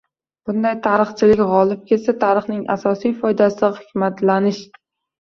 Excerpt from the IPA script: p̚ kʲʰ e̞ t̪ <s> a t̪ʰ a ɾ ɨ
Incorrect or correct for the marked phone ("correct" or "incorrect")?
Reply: correct